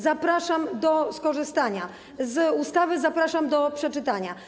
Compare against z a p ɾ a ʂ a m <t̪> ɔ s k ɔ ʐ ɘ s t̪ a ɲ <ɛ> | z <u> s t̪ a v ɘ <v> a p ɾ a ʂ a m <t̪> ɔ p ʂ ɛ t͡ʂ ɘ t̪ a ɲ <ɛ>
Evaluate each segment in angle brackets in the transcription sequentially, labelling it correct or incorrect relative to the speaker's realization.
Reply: incorrect, incorrect, correct, incorrect, incorrect, incorrect

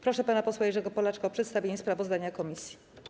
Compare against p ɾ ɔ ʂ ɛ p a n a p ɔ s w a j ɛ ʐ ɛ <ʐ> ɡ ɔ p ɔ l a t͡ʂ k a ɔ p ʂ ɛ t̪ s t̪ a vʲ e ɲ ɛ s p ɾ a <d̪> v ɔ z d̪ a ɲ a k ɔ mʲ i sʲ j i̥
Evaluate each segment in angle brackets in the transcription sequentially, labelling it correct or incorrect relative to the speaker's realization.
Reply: incorrect, incorrect

